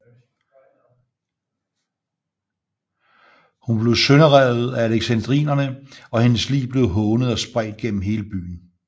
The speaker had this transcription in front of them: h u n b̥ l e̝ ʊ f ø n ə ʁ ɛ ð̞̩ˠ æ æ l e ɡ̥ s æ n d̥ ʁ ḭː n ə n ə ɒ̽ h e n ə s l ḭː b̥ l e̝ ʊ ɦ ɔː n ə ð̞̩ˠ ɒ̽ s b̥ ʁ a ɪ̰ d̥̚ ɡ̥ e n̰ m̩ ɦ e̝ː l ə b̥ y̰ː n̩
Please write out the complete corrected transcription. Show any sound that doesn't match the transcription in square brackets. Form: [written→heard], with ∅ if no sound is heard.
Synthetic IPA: h u n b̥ l e̝ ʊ [f→s] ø n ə ʁ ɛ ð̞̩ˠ æ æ l e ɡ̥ s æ n d̥ ʁ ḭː n [ə→ɐ] n ə ɒ̽ h e n ə s l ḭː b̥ l e̝ ʊ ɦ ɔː n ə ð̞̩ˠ ɒ̽ s b̥ ʁ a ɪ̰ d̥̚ ɡ̥ e n̰ m̩ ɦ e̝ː l ə b̥ y̰ː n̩